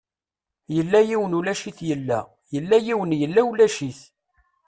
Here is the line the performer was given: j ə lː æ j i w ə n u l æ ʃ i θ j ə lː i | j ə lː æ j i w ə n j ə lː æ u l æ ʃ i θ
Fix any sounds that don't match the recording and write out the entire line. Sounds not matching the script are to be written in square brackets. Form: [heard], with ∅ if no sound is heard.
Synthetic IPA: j ə lː æ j i w ə n u l æ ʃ i θ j ə lː [æ] | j ə lː æ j i w ə n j ə lː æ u l æ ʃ i θ